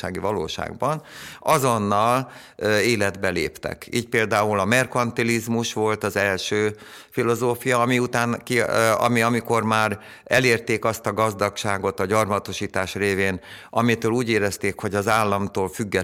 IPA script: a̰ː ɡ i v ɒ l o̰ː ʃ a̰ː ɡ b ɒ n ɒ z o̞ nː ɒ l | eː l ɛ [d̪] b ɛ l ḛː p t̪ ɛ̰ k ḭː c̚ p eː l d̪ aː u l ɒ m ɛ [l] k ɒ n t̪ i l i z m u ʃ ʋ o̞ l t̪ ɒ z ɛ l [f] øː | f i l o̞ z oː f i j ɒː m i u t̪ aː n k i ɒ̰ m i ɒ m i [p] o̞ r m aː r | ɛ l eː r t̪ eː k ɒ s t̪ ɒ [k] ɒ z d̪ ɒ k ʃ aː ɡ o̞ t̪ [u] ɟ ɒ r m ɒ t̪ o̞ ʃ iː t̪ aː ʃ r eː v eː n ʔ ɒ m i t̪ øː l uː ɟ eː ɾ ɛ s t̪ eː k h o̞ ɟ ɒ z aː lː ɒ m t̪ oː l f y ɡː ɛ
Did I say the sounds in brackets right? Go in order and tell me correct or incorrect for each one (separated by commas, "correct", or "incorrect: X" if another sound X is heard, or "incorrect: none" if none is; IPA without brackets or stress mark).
correct, incorrect: r, incorrect: ʃ, incorrect: k, incorrect: ɡ, incorrect: ɒ